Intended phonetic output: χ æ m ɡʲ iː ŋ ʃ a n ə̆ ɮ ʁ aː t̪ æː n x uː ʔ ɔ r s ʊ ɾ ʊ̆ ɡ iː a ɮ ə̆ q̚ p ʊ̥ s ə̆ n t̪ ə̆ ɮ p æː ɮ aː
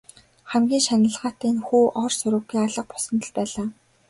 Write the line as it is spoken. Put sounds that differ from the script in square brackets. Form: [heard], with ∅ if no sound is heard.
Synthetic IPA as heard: χ æ m ɡʲ iː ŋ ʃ a n ə̆ ɮ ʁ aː t̪ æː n x uː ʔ ɔ r s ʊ ɾ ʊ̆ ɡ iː a ɮ ə̆ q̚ p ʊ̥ s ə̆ n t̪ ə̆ ɮ p æː ɮ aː